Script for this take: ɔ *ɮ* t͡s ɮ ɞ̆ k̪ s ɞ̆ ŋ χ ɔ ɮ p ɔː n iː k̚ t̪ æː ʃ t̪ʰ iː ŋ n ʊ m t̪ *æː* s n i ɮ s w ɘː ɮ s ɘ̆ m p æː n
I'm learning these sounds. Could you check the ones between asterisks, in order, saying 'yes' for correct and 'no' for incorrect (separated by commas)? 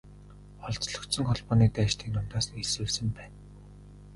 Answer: yes, no